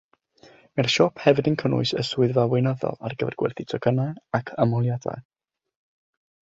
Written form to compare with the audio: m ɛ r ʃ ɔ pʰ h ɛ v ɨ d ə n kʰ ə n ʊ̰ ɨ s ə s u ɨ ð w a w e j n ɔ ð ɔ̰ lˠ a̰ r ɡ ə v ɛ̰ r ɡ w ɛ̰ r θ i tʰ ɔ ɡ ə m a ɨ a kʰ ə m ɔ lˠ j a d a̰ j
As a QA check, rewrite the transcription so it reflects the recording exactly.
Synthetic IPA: m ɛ r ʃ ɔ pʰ h ɛ v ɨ d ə n kʰ ə n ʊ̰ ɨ s ə s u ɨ ð v a w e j n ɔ ð ɔ̰ lˠ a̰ r ɡ ə v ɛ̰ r ɡ w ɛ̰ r θ i tʰ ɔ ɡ ə n a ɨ a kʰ ə m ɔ lˠ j a d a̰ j